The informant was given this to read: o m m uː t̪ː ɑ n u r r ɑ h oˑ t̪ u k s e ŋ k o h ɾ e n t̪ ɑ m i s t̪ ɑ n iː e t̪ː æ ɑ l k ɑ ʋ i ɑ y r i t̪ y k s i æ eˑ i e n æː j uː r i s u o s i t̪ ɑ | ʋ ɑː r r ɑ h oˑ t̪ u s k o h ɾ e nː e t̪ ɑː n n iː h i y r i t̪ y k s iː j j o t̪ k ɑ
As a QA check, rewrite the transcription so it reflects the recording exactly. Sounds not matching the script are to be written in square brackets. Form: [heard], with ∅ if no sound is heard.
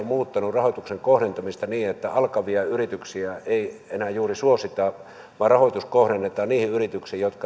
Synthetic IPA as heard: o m m uː t̪ː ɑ n u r r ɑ h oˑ t̪ u k s e ŋ k o h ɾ e n t̪ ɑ m i s t̪ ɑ n iː e t̪ː æ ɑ l k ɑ ʋ i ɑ y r i t̪ y k s i æ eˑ i e n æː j uː r i s u o s i t̪ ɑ | ʋ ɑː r r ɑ h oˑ t̪ u s k o h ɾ e nː e t̪ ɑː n n iː h i y r i t̪ y k s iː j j o t̪ k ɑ